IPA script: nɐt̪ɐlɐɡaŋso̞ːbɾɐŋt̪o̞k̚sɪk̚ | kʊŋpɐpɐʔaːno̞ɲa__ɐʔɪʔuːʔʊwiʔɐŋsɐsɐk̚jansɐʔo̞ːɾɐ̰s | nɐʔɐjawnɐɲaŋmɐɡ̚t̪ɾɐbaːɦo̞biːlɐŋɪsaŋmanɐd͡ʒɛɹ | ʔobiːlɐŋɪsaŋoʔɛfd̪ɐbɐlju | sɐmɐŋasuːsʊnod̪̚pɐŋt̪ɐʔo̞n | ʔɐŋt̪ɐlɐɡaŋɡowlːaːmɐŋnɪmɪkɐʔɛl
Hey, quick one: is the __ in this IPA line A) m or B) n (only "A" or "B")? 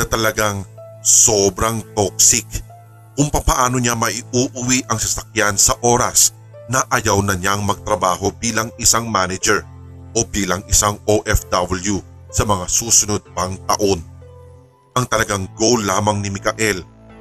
A